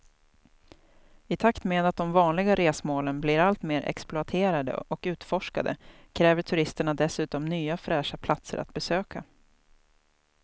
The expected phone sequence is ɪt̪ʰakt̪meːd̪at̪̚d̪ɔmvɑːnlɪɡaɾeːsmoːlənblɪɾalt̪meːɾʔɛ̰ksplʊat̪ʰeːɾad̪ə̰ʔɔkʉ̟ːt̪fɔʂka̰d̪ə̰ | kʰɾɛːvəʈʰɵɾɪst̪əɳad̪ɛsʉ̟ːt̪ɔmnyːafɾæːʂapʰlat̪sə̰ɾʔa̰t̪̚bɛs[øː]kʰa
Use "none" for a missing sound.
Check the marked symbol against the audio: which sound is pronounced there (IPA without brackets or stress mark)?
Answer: øː